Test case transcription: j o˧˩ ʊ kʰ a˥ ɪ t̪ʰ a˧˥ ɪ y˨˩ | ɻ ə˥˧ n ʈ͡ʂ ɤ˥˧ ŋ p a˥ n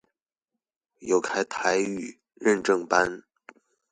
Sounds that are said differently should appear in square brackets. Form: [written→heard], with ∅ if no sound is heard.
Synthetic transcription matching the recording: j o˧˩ ʊ kʰ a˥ ɪ t̪ʰ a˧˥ ɪ y˨˩ | ɻ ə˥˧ n ʈ͡ʂ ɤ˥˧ ŋ p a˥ n